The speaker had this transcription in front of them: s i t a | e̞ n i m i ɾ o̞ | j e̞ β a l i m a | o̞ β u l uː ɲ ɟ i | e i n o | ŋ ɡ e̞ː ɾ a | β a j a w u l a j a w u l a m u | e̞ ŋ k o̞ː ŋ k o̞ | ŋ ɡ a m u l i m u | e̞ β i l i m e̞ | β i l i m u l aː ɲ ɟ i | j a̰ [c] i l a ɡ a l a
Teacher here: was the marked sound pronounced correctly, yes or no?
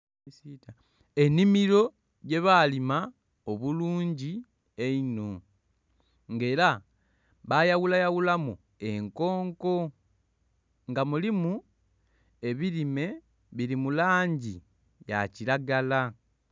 yes